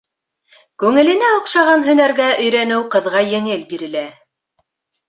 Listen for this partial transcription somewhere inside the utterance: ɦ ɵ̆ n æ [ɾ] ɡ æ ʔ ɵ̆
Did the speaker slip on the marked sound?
no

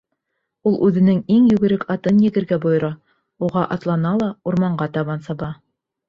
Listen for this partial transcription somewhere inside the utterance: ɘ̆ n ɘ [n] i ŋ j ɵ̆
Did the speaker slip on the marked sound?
yes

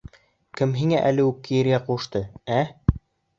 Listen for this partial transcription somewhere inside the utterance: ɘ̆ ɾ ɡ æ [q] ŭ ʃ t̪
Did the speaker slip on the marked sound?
no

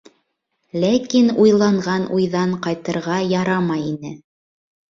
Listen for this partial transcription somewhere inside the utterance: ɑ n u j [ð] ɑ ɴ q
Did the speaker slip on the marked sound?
no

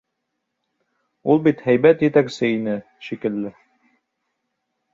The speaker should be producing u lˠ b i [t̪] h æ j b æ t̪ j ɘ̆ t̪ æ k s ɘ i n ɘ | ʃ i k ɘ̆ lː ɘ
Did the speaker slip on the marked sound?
no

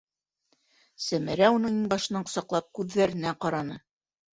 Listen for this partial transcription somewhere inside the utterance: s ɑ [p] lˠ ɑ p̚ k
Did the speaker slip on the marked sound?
yes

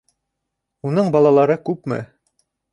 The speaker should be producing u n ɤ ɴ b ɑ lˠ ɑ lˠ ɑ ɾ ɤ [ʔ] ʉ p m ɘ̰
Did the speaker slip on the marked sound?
yes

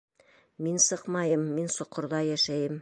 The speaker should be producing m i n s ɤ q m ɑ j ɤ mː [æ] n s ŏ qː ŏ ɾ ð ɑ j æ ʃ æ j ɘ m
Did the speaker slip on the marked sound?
yes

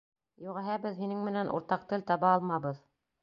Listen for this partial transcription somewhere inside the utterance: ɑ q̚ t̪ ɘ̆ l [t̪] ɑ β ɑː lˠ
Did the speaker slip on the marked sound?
no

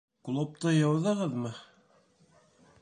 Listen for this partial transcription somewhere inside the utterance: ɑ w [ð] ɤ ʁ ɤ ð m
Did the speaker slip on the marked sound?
no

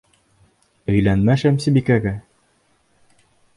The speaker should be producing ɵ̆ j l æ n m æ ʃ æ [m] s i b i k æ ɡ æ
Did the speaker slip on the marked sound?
no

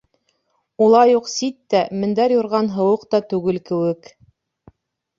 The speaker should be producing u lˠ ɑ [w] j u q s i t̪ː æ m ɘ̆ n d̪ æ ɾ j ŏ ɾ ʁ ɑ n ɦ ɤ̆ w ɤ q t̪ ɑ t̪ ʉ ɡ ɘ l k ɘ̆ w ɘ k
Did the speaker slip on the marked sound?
yes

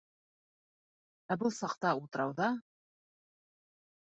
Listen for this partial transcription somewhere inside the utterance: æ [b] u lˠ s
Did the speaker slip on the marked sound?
no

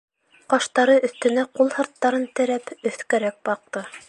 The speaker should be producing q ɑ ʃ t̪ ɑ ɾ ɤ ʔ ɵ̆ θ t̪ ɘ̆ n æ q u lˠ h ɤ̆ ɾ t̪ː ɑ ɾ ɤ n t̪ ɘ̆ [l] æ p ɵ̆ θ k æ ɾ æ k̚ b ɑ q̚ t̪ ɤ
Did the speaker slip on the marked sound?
yes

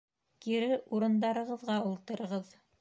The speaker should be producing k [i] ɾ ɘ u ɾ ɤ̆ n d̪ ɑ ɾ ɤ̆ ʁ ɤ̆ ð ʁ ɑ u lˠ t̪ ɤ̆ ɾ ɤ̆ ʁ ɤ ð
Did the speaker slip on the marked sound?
no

